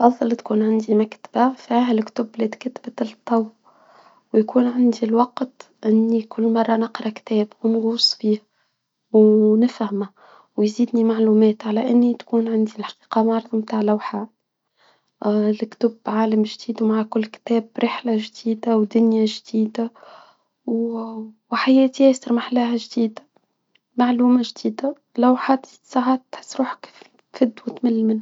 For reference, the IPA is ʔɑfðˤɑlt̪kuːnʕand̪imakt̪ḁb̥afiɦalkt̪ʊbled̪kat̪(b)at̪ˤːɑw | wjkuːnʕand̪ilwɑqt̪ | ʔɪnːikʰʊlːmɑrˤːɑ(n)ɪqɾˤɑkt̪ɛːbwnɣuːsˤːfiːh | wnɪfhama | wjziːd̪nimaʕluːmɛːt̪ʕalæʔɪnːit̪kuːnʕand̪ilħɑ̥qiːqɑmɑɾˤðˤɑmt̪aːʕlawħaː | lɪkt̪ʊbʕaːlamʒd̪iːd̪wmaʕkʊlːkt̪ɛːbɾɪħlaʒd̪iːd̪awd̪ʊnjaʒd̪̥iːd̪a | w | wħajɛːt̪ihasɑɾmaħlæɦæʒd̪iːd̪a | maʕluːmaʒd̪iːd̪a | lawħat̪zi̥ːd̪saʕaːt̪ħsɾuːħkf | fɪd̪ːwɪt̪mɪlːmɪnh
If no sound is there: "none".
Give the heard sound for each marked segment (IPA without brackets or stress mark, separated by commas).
b, n